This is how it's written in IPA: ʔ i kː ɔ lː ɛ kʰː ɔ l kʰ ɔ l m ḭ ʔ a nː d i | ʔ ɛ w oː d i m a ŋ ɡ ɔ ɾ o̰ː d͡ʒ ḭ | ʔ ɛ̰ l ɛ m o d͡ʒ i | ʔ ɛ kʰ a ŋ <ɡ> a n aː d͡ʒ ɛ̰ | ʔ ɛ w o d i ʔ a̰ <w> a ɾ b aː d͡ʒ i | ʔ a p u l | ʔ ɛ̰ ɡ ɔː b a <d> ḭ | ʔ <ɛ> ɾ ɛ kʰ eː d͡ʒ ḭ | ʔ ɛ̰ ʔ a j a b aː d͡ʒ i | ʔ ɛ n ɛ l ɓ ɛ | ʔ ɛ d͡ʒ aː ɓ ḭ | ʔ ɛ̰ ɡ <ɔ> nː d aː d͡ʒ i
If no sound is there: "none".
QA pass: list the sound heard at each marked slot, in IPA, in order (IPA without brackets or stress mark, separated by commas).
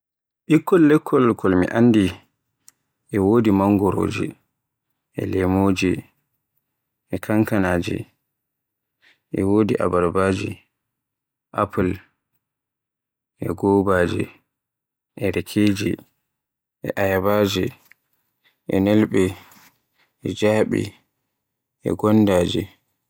k, b, d͡ʒ, ɛ, ɔ